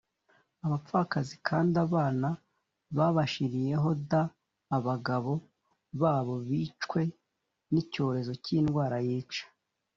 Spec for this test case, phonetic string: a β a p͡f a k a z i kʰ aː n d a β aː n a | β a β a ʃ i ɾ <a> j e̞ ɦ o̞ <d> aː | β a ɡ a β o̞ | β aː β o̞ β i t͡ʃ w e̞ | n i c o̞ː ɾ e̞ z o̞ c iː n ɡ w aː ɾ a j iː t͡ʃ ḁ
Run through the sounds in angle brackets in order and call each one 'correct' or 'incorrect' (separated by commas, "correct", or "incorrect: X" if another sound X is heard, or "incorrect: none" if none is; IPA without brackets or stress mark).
incorrect: i, correct